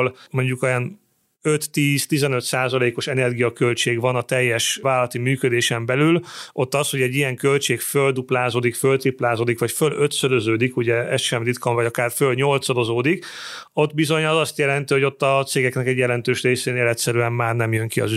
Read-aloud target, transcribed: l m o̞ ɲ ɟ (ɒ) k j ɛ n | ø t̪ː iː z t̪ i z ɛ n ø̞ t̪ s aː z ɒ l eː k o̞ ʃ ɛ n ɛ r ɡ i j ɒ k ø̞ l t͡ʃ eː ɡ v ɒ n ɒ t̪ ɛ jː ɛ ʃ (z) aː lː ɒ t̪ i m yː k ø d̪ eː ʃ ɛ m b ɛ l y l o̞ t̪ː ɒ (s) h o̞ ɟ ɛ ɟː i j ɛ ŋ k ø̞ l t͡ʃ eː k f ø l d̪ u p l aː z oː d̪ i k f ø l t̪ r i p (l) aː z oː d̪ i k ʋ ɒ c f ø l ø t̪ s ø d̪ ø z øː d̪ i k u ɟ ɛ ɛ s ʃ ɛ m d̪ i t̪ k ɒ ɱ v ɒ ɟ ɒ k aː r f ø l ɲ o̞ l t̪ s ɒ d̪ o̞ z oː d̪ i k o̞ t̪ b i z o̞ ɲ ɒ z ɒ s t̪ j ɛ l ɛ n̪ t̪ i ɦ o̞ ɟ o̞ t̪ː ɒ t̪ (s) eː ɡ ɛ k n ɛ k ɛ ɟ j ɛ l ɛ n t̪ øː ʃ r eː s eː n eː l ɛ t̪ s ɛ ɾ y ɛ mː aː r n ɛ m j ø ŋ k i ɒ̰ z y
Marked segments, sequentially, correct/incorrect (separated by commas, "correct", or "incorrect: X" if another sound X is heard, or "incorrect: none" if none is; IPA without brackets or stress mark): incorrect: u, incorrect: v, correct, correct, correct